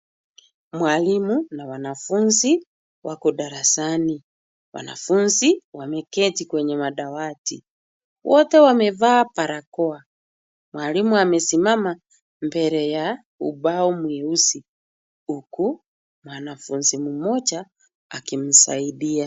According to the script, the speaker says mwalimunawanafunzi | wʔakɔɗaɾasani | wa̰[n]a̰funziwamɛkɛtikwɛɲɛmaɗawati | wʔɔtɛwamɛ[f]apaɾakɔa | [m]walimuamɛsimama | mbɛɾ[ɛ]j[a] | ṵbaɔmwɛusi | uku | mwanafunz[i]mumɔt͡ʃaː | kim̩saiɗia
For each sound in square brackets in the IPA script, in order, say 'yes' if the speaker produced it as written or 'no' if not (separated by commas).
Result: yes, no, yes, yes, yes, yes